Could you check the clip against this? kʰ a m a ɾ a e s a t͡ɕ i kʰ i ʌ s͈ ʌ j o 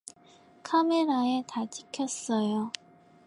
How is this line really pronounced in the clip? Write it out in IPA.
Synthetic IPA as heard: kʰ a m e ɾ a e t a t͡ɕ i kʰ j ʌ s͈ ʌ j o

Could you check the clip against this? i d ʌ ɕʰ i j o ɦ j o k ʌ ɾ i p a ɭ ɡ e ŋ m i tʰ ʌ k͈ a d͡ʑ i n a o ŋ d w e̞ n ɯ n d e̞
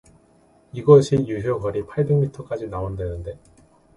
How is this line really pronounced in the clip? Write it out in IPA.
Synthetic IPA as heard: i ɡ ʌ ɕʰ i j u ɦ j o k ʌ ɾ i pʰ a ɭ b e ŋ m i tʰ ʌ k͈ a d͡ʑ i n a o n d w e̞ n ɯ n d e̞

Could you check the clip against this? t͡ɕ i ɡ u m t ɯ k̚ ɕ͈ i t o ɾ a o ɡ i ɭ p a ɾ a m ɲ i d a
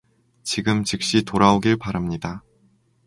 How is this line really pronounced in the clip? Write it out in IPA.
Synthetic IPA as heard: t͡ɕ i ɡ ɯ m t͡ɕ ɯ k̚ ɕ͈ i t o ɾ a o ɡ i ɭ p a ɾ a m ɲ i d a

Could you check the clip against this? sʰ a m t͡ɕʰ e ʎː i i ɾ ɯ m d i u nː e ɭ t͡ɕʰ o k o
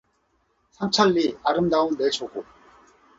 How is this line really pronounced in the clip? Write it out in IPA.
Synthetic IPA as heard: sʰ a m t͡ɕʰ a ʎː i a ɾ ɯ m d a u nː e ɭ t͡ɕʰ o ɡ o

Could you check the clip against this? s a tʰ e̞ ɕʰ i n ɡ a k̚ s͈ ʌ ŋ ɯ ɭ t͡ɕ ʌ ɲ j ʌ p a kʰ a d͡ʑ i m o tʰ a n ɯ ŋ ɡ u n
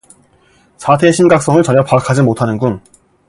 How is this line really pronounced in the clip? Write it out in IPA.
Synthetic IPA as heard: s a tʰ e̞ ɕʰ i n ɡ a k̚ s͈ ʌ ŋ ɯ ɭ t͡ɕ ʌ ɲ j ʌ p a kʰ a d͡ʑ i m o tʰ a n ɯ n ɡ u n

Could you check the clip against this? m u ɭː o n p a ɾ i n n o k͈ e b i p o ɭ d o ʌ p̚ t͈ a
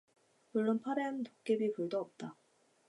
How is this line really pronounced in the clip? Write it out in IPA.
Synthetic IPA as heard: m u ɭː o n pʰ a ɾ e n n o k͈ e b i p u ɭ d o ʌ p̚ t͈ a

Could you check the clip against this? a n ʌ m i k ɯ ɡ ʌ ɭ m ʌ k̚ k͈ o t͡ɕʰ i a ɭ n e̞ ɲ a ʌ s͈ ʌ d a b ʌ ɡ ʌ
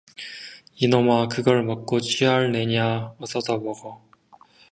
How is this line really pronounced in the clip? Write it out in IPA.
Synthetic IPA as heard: i n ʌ m a k ɯ ɡ ʌ ɭ m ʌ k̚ k͈ o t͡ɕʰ i a ɭ n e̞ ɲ a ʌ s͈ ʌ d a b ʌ ɡ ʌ

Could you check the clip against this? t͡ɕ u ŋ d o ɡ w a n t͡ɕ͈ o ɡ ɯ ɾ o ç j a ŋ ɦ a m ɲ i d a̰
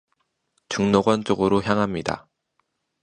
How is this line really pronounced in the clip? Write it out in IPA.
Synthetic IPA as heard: t͡ɕ u ŋ n o ɡ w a n t͡ɕ͈ o ɡ ɯ ɾ o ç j a ŋ ɦ a m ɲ i d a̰

